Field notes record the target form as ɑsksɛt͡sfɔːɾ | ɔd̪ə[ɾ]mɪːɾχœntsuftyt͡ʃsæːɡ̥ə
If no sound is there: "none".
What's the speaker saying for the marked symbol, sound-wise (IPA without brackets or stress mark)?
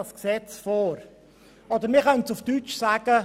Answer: ɾ